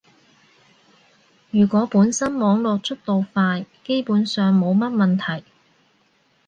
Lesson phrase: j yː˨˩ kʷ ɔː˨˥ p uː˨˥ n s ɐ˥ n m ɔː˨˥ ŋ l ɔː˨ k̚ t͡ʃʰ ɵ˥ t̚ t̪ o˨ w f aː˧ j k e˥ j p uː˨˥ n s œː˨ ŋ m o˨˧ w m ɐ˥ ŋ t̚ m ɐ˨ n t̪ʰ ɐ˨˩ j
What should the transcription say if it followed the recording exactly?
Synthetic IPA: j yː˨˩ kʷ ɔː˨˥ p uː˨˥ n s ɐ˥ n m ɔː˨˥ ŋ l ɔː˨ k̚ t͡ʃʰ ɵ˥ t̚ t̪ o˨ w f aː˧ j k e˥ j p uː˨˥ n s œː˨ ŋ m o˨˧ w m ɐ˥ t̚ m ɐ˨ n t̪ʰ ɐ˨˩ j